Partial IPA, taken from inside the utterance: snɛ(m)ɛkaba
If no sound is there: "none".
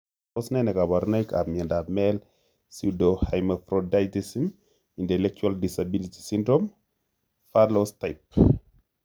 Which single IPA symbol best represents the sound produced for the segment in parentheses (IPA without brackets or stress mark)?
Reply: n